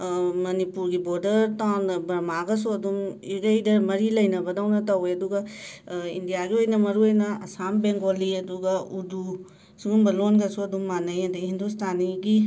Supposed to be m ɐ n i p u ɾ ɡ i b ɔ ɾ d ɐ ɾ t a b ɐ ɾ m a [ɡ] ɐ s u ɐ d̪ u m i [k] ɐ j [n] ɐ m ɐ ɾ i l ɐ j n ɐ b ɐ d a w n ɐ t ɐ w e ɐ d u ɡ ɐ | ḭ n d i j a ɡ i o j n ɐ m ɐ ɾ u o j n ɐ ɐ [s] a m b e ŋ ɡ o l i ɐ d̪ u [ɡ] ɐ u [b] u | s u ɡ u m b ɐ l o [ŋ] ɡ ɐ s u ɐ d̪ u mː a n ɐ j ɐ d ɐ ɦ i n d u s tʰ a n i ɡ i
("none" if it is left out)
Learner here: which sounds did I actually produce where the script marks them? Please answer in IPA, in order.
ɡ, ɡ, d, s, ɡ, d, n

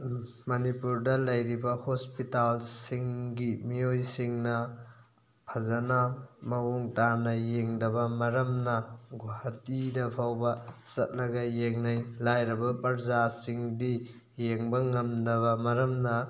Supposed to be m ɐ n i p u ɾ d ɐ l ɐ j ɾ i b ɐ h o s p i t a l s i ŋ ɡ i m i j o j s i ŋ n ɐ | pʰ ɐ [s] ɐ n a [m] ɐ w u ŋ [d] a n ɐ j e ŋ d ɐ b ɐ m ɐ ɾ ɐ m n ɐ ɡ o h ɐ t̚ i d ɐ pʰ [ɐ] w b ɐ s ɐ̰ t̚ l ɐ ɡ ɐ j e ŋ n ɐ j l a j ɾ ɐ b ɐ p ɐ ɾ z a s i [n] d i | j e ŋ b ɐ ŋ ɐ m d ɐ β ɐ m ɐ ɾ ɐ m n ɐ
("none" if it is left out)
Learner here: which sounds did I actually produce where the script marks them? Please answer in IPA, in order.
z, m, t, a, ŋ

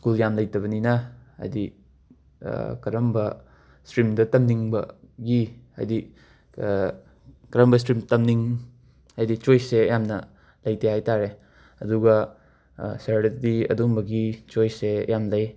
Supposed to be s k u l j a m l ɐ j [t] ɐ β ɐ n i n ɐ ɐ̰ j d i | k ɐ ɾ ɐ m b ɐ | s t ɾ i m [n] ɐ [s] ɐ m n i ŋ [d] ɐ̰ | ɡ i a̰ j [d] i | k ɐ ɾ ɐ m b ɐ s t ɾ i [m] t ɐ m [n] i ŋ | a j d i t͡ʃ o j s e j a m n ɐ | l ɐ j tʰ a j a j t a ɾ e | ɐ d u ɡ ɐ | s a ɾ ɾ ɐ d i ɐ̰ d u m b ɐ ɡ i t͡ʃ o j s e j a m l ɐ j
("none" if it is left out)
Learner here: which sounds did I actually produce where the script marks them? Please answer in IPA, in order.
t, d, t, b, d, m, n

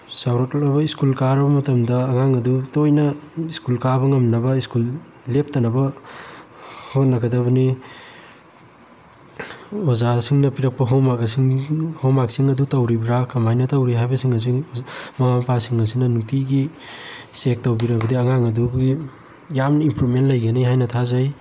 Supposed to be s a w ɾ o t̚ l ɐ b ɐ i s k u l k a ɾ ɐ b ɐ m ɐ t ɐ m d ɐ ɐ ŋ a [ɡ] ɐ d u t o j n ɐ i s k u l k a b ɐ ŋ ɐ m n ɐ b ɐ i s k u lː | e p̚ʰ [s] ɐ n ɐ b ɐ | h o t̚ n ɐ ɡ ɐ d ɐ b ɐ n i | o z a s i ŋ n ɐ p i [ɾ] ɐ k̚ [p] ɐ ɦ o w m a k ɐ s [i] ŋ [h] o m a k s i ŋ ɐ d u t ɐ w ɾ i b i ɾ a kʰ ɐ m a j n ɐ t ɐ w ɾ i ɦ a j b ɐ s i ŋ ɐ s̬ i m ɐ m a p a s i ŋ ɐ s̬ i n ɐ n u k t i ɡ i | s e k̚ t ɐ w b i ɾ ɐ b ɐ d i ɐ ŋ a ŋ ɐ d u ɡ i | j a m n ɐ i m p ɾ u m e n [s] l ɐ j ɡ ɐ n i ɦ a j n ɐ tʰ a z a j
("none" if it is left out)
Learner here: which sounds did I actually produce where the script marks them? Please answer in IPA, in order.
ŋ, t, ɾ, p, i, h, t

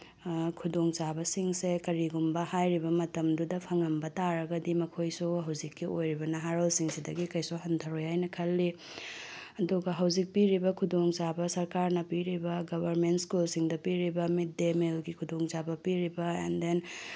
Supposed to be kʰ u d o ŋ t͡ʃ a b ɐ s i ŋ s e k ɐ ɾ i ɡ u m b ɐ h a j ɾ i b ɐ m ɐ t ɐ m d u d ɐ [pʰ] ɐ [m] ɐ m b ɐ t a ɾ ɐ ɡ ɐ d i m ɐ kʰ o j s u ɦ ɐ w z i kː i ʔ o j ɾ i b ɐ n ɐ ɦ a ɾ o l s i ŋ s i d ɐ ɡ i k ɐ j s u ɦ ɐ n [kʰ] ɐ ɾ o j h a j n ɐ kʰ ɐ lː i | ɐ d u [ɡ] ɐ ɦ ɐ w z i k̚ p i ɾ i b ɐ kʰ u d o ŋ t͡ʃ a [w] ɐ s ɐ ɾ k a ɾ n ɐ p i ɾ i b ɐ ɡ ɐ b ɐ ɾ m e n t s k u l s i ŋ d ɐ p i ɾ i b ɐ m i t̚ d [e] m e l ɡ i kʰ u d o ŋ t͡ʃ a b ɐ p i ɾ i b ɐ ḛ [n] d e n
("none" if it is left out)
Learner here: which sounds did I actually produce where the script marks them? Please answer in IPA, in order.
pʰ, ŋ, tʰ, ɡ, b, e, n

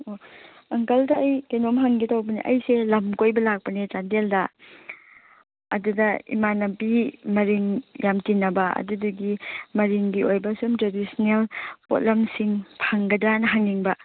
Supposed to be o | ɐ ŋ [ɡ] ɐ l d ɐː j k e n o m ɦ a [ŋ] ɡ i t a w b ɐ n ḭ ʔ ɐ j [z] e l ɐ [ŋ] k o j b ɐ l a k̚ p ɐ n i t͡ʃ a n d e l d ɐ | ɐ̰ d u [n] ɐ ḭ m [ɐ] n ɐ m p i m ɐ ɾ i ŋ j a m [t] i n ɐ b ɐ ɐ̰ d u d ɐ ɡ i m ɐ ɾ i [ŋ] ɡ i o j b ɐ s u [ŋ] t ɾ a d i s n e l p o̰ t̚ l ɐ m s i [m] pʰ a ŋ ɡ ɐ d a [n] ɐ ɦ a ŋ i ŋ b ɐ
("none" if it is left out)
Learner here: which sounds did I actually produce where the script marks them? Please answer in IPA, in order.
k, ŋ, s, m, d, a, t, ŋ, m, ŋ, n

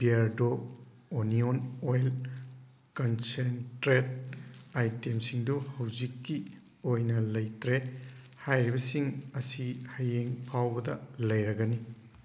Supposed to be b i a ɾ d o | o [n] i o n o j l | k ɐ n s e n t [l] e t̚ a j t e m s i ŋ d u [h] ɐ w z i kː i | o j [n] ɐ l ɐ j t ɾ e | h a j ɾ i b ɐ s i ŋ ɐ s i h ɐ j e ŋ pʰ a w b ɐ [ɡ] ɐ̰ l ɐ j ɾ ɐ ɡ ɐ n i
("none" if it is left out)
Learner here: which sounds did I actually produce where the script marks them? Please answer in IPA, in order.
n, ɾ, h, n, d

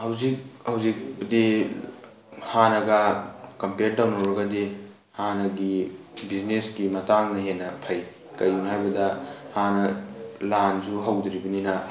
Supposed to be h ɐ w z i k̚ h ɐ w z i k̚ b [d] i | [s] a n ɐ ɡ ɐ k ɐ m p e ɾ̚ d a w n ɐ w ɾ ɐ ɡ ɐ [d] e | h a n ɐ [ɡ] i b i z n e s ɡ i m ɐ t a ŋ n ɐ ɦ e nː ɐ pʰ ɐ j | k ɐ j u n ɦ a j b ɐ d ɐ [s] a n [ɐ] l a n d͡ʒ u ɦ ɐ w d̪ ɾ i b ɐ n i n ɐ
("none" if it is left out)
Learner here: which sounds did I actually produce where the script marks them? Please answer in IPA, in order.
d, h, d, ɡ, h, ɐ

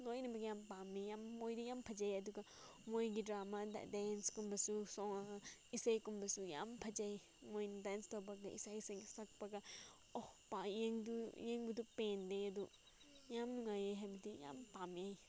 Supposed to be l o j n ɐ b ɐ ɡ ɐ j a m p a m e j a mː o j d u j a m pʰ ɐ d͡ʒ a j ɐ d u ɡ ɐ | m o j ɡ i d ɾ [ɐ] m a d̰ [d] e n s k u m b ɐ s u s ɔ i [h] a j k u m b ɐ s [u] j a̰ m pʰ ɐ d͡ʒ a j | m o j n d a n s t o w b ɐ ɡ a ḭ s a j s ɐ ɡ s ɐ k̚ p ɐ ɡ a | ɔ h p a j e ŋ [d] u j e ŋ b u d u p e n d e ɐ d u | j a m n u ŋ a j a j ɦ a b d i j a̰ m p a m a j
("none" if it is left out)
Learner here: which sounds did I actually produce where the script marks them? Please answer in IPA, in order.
a, d, s, u, d

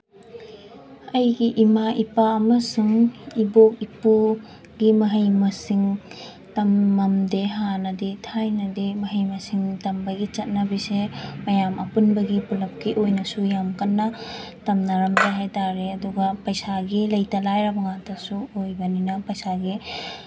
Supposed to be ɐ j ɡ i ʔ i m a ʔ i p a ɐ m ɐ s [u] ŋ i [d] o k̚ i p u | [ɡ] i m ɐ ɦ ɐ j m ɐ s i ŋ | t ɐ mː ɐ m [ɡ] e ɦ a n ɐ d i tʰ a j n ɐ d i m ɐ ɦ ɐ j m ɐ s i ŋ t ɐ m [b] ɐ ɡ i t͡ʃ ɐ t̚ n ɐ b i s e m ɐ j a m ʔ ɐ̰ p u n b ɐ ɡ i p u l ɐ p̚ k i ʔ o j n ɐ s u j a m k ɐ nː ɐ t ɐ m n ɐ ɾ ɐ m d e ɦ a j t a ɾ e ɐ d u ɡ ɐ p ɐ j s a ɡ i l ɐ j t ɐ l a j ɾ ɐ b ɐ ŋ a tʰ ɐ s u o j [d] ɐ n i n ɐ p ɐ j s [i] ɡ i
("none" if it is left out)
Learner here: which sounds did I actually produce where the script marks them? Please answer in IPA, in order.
u, b, ɡ, d, b, b, a

